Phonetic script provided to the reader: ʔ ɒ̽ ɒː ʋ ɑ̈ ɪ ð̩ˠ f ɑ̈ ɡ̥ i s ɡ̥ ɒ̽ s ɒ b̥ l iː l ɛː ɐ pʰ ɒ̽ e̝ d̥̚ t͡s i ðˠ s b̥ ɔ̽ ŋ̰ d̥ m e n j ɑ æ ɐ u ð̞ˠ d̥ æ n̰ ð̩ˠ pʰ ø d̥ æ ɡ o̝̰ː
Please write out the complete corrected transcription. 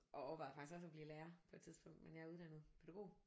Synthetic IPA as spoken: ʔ ɒ̽ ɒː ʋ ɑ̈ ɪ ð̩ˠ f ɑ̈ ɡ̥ i s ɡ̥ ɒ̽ s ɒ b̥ l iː l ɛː ɐ pʰ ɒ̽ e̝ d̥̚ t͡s i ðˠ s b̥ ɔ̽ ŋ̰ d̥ m e n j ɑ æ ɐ u ð̞ˠ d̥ æ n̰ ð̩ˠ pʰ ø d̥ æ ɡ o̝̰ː